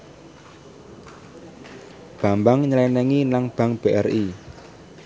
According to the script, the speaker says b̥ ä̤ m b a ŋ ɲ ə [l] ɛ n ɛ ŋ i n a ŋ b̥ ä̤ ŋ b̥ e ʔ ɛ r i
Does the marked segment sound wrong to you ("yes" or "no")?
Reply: no